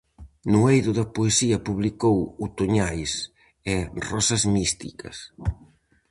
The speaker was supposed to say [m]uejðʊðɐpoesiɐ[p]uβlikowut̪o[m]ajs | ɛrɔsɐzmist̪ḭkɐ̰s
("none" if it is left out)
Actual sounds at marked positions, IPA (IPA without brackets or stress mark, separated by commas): n, p, ɲ